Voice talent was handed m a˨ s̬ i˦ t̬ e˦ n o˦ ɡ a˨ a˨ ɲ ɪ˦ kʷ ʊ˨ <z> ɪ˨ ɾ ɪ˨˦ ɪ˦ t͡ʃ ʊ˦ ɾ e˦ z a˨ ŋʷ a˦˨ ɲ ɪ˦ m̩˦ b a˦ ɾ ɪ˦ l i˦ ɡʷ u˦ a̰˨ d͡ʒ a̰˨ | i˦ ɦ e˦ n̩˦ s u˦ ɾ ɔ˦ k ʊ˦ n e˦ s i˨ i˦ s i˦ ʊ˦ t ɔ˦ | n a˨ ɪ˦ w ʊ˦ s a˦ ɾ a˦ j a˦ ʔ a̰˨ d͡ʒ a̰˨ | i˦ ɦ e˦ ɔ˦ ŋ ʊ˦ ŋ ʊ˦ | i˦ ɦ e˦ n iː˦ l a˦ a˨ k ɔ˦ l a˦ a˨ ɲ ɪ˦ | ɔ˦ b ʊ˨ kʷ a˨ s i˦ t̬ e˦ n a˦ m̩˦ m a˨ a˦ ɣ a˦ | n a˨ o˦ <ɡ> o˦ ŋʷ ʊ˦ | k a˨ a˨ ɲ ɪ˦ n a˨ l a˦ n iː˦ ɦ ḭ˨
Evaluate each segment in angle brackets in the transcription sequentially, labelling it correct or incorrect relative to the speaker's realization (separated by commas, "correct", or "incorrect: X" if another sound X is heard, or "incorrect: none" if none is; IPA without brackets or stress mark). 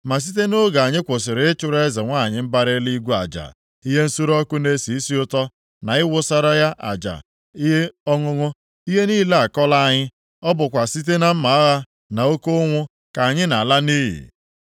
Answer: incorrect: s, incorrect: k